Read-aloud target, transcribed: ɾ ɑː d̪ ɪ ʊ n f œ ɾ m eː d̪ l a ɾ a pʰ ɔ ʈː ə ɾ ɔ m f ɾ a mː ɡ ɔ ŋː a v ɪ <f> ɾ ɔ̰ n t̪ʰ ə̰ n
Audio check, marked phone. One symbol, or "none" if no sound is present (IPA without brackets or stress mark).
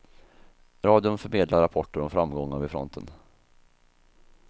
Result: f